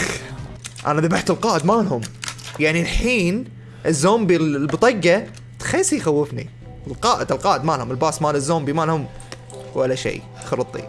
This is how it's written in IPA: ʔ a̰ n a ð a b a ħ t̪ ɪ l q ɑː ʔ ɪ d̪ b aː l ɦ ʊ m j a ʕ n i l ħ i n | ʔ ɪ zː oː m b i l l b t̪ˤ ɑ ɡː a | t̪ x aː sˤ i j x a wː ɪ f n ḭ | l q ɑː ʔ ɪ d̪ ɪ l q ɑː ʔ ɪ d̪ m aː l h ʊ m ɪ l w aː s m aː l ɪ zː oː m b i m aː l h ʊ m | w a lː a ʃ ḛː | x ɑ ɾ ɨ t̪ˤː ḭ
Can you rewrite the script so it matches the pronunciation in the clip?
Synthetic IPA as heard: ʔ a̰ n a ð a b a ħ t̪ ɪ l q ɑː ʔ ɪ d̪ m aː l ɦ ʊ m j a ʕ n i l ħ iː n | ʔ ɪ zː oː m b i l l b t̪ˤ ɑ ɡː a | t̪ x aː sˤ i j x a wː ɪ f n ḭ | l q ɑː ʔ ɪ d̪ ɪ l q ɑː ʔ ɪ d̪ m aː l h ʊ m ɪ l b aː s m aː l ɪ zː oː m b i m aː l h ʊ m | w a lː a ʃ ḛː | x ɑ ɾ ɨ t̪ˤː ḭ

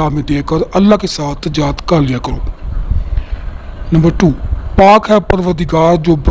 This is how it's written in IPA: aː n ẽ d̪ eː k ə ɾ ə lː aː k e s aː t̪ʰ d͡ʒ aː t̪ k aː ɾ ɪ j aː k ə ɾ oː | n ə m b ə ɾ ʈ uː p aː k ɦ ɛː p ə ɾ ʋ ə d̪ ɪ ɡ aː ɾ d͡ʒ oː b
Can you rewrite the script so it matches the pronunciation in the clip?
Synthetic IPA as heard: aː m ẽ d̪ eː k ə ɾ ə lː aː k e s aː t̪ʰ d͡ʒ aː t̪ k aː l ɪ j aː k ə ɾ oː | n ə m b ə ɾ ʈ uː p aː k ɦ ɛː p ə ɾ ʋ ə d̪ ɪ ɡ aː ɾ d͡ʒ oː b

